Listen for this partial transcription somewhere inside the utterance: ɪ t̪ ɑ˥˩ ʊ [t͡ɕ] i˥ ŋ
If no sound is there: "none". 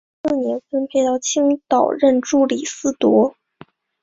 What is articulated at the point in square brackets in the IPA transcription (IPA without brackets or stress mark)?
t͡ɕʰ